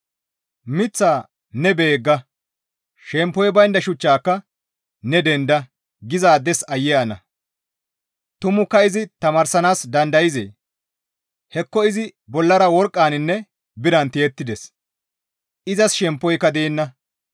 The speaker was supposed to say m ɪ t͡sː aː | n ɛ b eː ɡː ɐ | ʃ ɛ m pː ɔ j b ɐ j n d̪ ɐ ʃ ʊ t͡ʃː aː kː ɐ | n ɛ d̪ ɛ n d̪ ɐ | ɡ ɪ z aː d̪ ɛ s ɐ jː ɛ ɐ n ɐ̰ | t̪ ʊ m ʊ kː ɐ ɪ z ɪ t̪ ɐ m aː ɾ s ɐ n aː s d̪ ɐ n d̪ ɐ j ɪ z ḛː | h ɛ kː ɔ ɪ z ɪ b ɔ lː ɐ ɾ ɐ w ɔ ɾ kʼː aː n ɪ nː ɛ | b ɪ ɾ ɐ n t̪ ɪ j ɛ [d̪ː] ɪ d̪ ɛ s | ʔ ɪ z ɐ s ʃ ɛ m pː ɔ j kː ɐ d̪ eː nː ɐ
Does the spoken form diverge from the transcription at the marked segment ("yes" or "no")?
yes